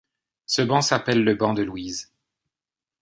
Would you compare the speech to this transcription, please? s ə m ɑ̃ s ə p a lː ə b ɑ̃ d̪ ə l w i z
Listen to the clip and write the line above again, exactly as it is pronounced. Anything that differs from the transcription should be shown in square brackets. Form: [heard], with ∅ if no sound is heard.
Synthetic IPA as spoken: s ə [b] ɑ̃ s [a] p [ɛ] lː ə b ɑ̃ d̪ ə l w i z